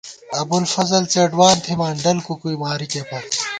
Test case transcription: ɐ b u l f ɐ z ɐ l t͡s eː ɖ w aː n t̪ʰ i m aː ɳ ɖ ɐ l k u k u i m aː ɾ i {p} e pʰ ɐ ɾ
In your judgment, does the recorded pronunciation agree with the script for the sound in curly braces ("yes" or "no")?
no